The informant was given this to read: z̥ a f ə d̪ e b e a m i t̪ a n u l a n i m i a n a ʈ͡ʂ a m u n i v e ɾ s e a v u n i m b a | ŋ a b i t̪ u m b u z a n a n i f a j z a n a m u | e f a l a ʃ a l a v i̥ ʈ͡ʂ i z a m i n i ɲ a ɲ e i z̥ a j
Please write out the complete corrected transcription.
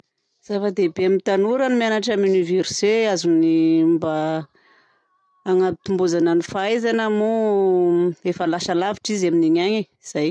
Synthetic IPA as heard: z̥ a f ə d̪ e b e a m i t̪ a n u ɾ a n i m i a n a ʈ͡ʂ a m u n i v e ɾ s e a z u n i m b a | ŋ a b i t̪ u m b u z a n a n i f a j z a n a m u | e f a l a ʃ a l a v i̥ ʈ͡ʂ i z a m i n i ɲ a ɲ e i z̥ a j